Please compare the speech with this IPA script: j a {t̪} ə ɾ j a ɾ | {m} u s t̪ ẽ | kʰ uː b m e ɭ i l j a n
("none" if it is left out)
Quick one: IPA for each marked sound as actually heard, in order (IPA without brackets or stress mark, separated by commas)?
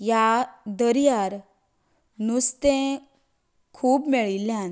d̪, n